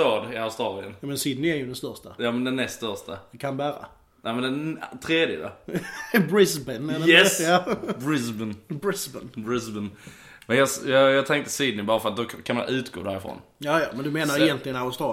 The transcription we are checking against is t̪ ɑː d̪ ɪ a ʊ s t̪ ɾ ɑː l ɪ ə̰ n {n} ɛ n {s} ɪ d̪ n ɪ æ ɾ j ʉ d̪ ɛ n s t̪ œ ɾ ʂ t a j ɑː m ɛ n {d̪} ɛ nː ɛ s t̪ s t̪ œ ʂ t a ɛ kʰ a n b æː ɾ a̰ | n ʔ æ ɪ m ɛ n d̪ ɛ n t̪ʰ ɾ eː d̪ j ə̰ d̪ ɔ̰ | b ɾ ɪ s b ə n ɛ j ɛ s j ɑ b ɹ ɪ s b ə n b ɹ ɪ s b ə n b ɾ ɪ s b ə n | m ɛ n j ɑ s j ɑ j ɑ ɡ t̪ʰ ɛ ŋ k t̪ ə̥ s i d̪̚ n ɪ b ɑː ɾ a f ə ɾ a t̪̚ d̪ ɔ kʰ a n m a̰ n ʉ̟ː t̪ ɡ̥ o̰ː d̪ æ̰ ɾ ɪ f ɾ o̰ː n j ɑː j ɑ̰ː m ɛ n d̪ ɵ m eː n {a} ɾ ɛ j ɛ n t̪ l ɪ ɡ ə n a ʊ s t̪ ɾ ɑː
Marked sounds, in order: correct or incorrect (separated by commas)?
incorrect, correct, correct, correct